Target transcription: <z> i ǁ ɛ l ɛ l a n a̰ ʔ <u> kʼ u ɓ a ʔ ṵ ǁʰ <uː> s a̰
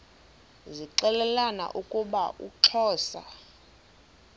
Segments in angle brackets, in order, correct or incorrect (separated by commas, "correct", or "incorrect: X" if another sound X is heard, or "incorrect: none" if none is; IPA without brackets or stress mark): correct, correct, incorrect: ɔː